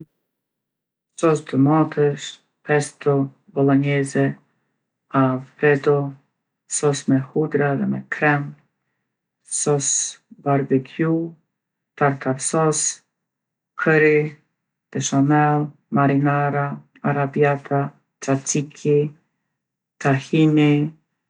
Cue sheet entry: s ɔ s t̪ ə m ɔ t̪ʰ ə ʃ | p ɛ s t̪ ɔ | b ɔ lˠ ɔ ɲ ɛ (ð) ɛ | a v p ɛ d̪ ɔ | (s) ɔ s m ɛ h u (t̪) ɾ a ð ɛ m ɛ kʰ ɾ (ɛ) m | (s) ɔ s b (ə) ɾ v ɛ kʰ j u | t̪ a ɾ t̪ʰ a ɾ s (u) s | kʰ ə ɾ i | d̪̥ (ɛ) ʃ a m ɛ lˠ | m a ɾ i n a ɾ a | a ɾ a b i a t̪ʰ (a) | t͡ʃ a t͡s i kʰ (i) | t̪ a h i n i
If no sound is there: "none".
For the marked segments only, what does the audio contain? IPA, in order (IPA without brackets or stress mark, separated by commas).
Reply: z, s, d̪, ɛ, s, a, ɔ, ɛ, a, i